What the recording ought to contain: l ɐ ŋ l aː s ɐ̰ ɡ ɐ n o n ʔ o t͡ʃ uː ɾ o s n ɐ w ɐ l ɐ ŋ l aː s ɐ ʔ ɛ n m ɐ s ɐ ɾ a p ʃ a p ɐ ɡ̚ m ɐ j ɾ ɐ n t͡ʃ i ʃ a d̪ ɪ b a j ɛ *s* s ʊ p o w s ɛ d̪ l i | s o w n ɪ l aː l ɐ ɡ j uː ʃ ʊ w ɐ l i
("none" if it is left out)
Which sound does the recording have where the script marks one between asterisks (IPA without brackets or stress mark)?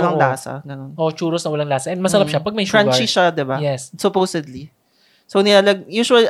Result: s